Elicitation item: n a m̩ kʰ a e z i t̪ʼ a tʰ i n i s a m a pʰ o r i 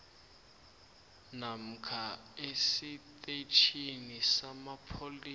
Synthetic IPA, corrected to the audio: n a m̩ kʰ a e s i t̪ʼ e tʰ i n i s a m a pʰ o l i